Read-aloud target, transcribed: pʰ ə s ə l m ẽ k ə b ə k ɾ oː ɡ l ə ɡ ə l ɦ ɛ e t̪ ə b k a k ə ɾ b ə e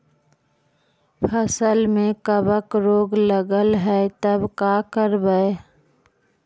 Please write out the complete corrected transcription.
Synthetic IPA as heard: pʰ ə s ə l m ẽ k ə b ə k ɾ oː ɡ l ə ɡ ə l ɦ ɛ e t̪ ə b k a k ə ɾ b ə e